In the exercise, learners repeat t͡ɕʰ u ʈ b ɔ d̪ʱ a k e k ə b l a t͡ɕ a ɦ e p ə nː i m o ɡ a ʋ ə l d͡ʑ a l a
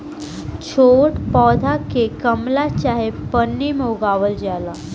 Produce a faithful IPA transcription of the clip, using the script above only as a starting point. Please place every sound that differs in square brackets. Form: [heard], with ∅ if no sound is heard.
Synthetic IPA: t͡ɕʰ [o] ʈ [p] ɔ d̪ʱ a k e k ə [m] l a t͡ɕ a ɦ e p ə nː i m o ɡ a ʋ ə l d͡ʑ a l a